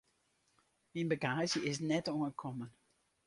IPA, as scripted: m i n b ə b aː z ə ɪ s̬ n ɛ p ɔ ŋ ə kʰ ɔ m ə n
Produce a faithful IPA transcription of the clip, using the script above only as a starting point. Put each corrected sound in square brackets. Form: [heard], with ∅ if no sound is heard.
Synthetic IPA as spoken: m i n b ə [ɡ] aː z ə ɪ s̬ n ɛ [t] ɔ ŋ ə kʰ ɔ m ə n